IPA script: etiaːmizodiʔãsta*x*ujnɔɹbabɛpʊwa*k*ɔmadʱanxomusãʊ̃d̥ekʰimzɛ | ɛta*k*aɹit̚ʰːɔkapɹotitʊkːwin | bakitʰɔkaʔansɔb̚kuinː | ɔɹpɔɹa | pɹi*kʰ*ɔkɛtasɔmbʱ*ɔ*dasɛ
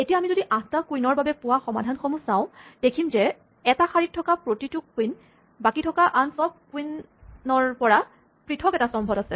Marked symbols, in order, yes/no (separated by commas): no, no, no, no, yes